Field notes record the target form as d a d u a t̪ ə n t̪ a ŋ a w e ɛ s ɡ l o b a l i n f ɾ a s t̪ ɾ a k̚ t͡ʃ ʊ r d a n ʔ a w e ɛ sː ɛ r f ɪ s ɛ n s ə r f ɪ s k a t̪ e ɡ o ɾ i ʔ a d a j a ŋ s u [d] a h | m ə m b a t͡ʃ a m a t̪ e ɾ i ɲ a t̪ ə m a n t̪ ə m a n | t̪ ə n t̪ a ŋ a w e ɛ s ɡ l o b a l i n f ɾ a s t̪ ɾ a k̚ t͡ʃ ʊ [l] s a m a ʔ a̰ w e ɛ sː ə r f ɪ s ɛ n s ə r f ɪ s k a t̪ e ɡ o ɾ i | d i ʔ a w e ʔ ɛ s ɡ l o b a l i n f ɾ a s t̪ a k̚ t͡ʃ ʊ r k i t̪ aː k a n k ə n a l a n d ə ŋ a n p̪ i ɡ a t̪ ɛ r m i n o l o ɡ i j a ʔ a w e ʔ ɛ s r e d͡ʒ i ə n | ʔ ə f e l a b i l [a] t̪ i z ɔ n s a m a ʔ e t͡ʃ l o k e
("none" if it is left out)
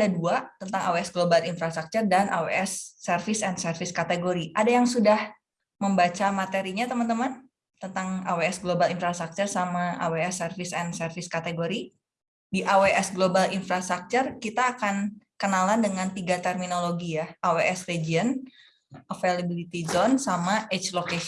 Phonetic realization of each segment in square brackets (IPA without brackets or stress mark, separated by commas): d, r, i